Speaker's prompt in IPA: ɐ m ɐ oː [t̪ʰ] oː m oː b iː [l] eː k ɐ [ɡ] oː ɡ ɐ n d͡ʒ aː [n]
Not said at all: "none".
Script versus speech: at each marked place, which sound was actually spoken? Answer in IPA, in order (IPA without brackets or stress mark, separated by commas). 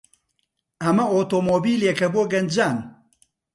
t̪, l, b, n